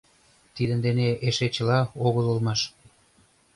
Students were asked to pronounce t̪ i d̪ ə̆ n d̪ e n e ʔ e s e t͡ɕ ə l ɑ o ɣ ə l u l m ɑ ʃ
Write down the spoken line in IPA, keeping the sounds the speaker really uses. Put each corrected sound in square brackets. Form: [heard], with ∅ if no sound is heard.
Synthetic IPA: t̪ i d̪ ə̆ n d̪ e n e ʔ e [ʃ] e t͡ɕ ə l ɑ o ɣ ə l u l m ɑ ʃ